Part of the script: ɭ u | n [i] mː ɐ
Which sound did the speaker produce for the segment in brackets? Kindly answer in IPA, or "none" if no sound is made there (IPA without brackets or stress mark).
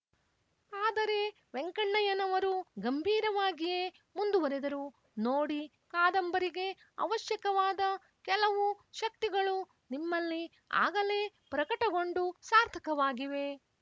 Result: i